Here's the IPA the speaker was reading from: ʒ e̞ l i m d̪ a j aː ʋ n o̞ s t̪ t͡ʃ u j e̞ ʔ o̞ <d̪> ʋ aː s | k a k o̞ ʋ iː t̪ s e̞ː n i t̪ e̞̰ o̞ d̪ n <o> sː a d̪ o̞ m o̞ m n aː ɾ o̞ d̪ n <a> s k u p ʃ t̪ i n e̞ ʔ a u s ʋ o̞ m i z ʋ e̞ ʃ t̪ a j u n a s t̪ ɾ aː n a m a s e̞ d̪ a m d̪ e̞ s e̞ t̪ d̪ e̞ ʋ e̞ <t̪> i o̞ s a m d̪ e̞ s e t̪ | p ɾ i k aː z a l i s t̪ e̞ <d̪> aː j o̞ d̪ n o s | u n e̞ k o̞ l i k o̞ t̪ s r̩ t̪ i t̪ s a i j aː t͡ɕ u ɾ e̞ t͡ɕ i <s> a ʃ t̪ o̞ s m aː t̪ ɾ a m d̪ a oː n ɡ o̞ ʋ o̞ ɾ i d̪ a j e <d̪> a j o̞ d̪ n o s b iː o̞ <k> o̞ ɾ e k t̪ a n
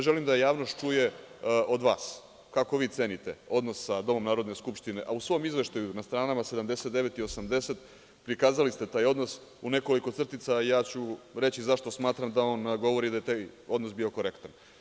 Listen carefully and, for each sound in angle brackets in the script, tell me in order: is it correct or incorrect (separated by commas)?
correct, correct, incorrect, correct, incorrect, incorrect, incorrect, correct